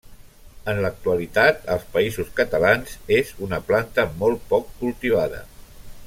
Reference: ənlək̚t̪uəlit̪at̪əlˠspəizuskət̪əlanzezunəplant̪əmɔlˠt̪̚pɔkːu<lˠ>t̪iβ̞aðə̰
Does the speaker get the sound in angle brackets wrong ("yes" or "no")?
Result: no